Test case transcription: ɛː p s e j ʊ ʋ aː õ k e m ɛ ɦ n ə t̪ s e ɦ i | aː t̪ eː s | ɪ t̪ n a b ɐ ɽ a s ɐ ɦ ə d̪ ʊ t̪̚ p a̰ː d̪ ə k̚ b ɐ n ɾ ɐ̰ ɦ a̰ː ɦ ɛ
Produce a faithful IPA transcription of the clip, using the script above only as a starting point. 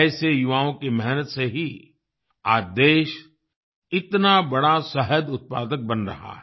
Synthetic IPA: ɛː s e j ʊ ʋ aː õ k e m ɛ ɦ n ə t̪ s e ɦ i | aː d̪ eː ʃ | ɪ t̪ n a b ɐ ɽ a s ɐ ɦ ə d̪ ʊ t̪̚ p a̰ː d̪ ə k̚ b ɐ n ɾ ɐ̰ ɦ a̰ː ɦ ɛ